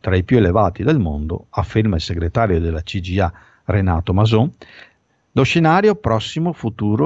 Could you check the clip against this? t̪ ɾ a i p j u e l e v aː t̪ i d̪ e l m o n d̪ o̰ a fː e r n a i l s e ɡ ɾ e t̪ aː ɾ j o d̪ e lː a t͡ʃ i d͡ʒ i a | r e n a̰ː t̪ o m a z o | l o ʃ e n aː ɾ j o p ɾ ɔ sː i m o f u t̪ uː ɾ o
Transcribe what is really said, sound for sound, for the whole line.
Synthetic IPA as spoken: t̪ ɾ a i p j u e l e v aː t̪ i d̪ e l m o n d̪ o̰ a fː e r m a i l s e ɡ ɾ e t̪ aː ɾ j o d̪ e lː a t͡ʃ i d͡ʒ i a | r e n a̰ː t̪ o m a z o | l o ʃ e n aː ɾ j o p ɾ ɔ sː i m o f u t̪ uː ɾ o